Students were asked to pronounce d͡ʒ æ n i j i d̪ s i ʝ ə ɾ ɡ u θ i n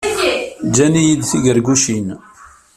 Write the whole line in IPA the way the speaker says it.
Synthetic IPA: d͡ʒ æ n i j i d̪ θ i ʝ ə ɾ ɡ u ʃ i n